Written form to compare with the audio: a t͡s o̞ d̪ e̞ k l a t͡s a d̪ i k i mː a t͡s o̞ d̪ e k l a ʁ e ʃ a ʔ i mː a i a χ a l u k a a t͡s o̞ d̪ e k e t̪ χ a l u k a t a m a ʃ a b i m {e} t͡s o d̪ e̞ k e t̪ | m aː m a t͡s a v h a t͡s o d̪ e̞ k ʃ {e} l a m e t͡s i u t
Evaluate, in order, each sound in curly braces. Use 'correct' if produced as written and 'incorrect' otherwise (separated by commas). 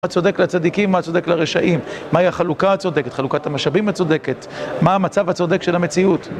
incorrect, correct